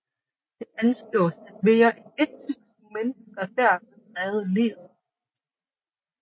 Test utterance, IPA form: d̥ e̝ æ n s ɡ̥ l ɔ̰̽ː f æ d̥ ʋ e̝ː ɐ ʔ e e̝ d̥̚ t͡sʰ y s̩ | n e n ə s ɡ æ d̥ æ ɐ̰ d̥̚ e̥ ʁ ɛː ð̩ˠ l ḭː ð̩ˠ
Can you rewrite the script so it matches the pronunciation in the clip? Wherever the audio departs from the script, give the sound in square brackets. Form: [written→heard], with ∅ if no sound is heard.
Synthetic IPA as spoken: d̥ e̝ æ n s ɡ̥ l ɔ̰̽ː [f→s] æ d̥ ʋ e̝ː ɐ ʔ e e̝ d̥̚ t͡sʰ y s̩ | [n→m] e n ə s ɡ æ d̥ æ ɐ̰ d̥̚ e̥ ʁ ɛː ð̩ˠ l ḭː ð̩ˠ